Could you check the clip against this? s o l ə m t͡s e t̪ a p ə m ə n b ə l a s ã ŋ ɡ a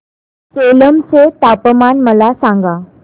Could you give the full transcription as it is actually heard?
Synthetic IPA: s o l ə m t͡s e t̪ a p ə m a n m ə l a s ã ŋ ɡ a